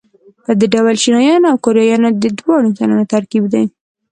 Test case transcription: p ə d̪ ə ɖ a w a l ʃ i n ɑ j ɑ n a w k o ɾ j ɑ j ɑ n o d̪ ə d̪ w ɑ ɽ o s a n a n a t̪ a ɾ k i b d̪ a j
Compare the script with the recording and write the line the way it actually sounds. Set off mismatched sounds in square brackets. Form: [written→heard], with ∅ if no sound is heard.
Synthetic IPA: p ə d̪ ə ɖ a w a l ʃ i n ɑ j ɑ n a w k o ɾ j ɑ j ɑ n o d̪ ə d̪ w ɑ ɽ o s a n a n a t̪ a ɾ k i b d̪ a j